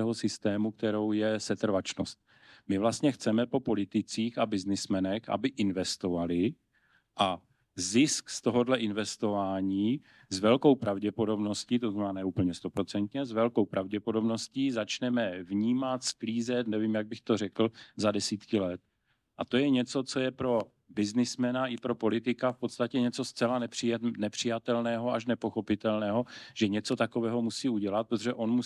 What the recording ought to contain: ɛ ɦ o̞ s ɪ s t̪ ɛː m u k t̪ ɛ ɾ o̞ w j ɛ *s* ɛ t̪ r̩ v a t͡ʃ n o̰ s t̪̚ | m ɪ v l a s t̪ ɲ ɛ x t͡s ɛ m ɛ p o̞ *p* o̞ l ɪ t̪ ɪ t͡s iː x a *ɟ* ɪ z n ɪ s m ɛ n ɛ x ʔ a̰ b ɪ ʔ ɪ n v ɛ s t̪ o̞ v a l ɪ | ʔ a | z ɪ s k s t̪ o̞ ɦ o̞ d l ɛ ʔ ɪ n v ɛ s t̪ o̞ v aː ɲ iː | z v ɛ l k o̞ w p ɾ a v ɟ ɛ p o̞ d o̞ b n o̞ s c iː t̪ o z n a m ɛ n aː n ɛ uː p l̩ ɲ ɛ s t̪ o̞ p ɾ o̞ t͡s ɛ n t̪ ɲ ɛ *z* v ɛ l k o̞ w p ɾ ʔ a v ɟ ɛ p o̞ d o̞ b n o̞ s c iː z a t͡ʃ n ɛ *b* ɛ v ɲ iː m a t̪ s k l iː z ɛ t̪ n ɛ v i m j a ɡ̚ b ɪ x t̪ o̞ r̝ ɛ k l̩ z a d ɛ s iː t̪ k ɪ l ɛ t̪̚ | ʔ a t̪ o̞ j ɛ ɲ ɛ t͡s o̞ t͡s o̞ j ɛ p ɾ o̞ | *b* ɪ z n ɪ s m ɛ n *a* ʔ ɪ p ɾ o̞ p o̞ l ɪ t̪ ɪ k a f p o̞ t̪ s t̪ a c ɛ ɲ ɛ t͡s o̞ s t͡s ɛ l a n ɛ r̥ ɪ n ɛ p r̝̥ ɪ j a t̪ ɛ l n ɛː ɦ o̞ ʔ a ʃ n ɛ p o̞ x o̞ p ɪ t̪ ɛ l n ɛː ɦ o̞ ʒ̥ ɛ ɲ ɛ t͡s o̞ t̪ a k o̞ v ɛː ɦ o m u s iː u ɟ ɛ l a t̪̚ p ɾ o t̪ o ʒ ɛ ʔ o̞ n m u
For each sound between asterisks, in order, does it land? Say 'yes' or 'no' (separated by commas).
yes, yes, no, yes, no, yes, yes